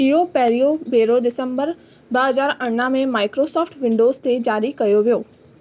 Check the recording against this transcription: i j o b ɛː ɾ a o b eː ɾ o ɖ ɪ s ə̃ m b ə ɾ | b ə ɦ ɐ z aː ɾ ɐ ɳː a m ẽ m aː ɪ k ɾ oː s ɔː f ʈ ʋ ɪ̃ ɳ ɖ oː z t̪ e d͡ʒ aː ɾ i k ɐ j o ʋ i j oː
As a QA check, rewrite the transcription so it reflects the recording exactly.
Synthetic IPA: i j o p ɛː ɾ i o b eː ɾ o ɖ ɪ s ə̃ m b ə ɾ | b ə ɦ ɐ z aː ɾ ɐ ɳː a m ẽ m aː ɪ k ɾ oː s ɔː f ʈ ʋ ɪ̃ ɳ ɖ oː z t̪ e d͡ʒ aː ɾ i k ɐ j o ʋ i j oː